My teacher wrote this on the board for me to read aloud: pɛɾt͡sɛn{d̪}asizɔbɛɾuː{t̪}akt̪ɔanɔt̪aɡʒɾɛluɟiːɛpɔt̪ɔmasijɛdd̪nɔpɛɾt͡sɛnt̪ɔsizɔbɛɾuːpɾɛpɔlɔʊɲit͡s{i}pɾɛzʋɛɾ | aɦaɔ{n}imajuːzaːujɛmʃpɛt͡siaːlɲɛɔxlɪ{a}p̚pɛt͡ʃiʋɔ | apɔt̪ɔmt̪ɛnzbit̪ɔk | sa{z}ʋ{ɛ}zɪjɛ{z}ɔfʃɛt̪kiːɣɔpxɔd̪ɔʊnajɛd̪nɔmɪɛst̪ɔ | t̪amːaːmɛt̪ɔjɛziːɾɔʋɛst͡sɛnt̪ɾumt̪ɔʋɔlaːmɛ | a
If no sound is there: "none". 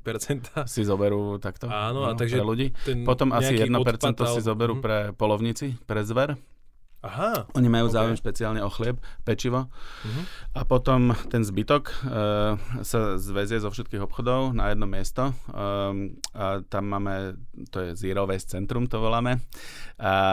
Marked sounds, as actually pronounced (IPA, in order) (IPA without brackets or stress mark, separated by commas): t̪, t̪, i, ɲ, ɛ, z, ɛ, z